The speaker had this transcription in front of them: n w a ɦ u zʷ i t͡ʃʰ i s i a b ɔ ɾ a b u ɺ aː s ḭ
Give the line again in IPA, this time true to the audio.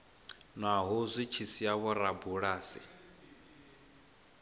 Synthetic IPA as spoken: n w a ɦ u zʷ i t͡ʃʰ i s i a β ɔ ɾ a b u ɺ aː s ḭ